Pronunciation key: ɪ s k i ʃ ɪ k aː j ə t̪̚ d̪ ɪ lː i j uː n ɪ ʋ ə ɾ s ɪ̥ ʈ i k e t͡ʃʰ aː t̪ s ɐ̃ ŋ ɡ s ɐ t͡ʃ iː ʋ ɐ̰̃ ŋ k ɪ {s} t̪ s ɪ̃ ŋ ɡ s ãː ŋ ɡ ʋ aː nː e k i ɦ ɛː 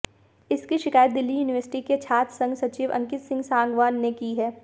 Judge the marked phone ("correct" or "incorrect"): incorrect